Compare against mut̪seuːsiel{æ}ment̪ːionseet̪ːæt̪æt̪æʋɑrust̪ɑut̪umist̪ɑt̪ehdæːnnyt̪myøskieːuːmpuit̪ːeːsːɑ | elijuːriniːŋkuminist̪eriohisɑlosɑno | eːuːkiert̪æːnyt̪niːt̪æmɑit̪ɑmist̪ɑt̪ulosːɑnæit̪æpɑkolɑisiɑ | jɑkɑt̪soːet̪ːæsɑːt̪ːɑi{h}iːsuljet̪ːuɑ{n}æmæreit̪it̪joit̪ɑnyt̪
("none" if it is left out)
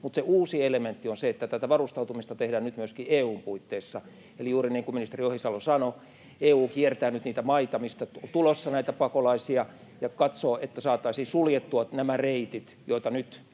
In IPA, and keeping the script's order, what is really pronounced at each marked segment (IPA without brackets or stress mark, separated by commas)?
e, s, n